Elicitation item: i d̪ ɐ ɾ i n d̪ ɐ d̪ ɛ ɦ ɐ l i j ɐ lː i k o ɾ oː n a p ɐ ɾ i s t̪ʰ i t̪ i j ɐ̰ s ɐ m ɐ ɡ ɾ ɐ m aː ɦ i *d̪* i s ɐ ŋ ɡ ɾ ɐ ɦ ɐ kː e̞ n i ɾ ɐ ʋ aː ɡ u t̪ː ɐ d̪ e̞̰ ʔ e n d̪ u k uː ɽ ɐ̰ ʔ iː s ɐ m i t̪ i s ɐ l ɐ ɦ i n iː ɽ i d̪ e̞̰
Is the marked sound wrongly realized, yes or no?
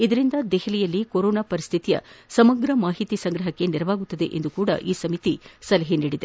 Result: yes